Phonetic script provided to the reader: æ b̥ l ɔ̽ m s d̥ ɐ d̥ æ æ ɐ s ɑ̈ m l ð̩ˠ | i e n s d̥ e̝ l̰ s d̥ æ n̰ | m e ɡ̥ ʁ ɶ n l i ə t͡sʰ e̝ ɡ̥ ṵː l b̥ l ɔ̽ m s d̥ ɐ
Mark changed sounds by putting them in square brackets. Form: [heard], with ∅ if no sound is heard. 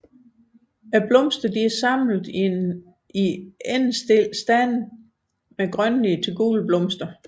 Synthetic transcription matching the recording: æ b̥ l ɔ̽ m s d̥ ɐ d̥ [i] æ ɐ s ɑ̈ m l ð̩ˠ | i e n s d̥ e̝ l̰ s d̥ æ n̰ | m e ɡ̥ ʁ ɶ n l i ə t͡sʰ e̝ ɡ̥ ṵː l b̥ l ɔ̽ m s d̥ ɐ